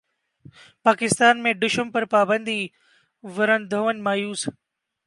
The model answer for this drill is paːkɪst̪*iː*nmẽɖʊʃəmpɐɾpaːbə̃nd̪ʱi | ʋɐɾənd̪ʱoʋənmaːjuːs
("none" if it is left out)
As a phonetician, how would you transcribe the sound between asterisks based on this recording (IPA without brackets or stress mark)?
aː